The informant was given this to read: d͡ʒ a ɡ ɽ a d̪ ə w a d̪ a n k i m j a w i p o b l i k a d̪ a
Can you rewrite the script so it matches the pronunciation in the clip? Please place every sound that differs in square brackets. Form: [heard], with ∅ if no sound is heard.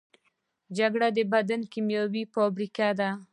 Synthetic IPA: d͡ʒ a ɡ ɽ a d̪ ə [b] a d̪ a n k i m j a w i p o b [ɾ] i k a d̪ a